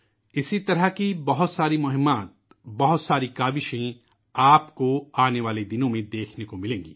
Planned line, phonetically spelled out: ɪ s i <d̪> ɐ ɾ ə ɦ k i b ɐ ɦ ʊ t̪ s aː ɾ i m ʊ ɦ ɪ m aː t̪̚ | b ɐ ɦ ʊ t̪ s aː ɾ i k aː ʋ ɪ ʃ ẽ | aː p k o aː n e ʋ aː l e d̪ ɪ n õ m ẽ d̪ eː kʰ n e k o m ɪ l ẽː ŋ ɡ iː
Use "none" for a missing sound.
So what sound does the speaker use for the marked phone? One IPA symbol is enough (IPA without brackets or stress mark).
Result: t̪